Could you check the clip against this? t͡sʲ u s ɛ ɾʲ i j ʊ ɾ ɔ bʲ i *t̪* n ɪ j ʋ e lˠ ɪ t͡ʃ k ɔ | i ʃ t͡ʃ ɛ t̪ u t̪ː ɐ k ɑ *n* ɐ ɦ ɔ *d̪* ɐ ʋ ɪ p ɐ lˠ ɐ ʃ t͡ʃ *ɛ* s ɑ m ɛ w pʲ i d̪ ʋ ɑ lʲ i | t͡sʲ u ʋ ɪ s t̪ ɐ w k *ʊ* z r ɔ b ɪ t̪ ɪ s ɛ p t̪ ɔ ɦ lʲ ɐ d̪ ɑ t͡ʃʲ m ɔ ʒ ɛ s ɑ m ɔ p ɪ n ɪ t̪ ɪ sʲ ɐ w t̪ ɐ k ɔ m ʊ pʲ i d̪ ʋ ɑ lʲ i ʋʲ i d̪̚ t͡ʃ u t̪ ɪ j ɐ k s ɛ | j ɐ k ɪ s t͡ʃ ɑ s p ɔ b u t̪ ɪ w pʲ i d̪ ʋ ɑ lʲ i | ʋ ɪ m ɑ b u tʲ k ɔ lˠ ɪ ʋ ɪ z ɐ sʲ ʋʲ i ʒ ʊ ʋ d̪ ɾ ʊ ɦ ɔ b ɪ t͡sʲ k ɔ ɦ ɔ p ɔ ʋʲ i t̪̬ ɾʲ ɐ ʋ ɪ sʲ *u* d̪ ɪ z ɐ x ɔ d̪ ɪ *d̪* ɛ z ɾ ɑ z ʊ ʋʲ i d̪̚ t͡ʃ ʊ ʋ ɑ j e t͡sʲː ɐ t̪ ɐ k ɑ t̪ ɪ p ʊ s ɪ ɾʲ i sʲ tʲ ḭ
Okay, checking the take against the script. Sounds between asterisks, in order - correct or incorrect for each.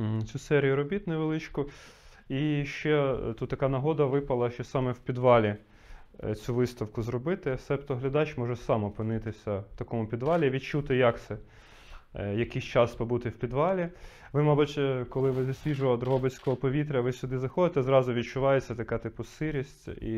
correct, correct, correct, correct, correct, incorrect, incorrect

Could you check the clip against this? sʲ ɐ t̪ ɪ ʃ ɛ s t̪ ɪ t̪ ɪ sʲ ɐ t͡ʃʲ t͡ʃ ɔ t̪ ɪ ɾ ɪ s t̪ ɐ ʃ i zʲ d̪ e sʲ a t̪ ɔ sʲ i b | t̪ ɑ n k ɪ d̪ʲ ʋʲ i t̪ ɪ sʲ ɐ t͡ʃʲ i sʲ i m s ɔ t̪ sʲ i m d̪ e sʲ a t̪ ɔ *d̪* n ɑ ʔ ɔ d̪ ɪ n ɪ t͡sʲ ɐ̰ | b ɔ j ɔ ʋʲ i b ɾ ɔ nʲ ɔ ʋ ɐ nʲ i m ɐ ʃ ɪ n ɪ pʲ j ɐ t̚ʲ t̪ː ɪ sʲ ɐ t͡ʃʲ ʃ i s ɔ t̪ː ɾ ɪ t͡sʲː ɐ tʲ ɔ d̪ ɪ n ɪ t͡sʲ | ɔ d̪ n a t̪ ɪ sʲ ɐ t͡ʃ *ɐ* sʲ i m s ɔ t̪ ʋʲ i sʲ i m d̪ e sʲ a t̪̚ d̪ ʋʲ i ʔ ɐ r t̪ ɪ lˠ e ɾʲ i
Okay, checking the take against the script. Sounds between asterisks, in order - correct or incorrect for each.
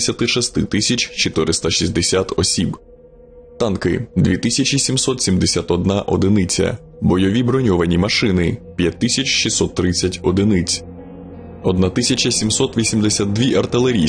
correct, correct

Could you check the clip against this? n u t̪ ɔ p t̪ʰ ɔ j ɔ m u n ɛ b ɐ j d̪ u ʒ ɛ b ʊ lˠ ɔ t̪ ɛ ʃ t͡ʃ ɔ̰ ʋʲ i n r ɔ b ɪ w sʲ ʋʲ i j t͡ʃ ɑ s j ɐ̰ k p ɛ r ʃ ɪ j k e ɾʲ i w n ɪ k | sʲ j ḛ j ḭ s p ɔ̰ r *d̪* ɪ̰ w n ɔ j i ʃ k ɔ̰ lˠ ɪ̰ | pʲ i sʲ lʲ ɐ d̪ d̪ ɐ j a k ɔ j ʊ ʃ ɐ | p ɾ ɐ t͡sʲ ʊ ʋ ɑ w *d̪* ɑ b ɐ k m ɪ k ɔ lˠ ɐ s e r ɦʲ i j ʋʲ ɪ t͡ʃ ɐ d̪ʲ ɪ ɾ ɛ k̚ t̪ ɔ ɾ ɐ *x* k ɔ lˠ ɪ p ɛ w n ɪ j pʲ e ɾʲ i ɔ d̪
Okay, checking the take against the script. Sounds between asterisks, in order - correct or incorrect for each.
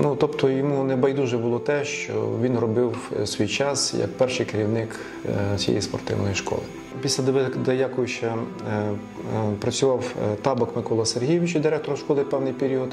incorrect, incorrect, incorrect

